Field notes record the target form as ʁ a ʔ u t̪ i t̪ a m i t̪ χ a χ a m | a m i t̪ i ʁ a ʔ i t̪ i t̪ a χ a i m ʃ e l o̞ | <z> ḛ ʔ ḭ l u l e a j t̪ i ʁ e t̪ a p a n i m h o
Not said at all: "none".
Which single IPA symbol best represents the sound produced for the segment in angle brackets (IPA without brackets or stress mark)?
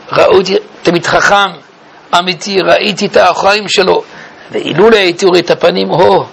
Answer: v